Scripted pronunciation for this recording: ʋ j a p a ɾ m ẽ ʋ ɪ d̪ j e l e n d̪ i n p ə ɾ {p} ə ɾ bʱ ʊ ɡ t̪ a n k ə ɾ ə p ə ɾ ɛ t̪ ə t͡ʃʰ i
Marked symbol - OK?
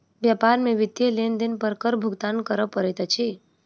no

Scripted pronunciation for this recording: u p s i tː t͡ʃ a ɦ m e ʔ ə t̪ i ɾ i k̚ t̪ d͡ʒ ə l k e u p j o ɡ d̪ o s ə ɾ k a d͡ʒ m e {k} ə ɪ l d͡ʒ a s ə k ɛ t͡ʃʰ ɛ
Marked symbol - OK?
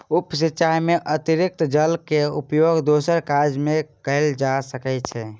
yes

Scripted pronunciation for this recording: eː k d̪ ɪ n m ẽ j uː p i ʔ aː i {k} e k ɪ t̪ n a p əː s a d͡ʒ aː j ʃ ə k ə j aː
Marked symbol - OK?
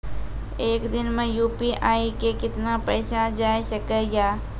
yes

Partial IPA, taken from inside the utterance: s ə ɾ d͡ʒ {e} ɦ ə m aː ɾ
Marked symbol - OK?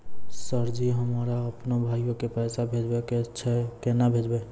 no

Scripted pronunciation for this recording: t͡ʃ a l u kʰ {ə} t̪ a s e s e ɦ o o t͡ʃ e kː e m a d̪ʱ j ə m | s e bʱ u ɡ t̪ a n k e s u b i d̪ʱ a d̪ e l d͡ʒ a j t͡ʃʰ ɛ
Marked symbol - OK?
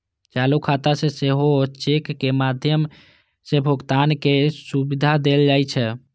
no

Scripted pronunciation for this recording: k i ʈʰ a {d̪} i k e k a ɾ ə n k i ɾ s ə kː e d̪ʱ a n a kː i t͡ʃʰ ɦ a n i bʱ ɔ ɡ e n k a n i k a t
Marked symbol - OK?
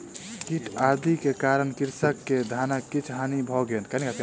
yes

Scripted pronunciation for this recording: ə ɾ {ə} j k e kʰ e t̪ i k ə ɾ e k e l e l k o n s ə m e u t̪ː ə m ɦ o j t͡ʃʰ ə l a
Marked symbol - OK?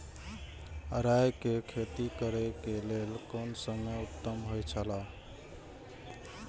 no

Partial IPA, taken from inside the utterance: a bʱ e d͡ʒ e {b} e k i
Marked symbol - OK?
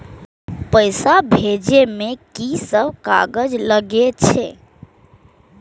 no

